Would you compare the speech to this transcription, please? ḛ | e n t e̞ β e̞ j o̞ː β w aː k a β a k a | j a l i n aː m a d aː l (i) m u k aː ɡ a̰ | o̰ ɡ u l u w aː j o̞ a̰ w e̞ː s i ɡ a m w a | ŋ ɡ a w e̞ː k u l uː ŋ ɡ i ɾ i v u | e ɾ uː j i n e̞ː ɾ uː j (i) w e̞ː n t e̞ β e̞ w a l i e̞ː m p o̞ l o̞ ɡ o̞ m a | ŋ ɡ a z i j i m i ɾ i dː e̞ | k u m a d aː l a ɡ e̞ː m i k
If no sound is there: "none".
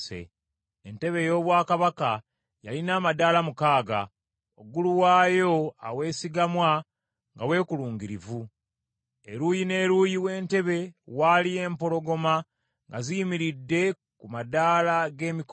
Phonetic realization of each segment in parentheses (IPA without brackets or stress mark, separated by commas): a, i